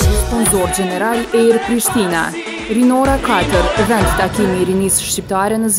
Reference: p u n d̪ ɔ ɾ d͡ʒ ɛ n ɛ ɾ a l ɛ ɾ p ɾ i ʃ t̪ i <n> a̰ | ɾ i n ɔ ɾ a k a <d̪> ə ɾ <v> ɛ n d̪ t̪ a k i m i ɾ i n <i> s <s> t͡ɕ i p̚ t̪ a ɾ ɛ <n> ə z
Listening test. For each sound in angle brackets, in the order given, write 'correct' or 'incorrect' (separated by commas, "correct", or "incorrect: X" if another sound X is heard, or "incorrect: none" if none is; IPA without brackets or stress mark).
correct, incorrect: t̪, correct, correct, incorrect: ʃ, correct